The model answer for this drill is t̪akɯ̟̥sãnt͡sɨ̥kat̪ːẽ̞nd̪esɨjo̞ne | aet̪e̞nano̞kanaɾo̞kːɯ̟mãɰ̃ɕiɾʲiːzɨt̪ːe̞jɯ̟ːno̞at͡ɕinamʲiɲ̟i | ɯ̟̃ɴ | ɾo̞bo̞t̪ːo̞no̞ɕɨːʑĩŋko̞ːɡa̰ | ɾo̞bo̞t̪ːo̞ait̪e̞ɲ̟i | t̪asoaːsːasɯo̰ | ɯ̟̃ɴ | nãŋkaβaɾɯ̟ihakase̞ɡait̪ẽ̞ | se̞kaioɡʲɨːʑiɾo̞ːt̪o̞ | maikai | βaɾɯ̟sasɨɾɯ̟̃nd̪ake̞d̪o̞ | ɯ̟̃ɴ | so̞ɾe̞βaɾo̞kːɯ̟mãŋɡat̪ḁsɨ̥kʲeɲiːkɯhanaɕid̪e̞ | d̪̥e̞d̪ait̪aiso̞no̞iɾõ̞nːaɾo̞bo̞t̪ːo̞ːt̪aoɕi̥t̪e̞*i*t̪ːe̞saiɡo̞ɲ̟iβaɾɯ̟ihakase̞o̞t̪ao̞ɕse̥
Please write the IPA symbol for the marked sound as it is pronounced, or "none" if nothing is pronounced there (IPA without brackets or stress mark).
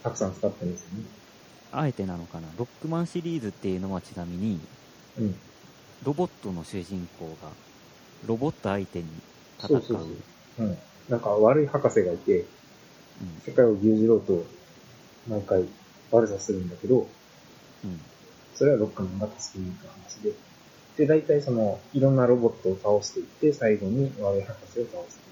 i